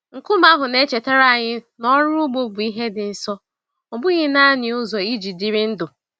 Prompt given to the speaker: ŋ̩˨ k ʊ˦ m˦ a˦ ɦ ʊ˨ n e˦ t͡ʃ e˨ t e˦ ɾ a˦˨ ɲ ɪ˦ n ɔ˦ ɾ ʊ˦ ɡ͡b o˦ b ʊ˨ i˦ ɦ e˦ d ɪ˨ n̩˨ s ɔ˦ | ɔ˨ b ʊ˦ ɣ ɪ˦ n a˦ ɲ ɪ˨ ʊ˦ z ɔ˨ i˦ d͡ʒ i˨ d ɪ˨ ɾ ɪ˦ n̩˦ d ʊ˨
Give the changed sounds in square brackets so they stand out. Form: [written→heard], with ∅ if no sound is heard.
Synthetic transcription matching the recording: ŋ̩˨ k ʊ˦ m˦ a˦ ɦ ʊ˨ n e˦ t͡ʃ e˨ t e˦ ɾ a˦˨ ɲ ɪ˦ n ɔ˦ ɾ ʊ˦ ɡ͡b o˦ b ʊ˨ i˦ ɦ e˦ d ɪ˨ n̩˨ s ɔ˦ | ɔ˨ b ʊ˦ ɣ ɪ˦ n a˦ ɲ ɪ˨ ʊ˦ z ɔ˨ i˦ d͡ʒ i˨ d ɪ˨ ɾ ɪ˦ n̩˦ d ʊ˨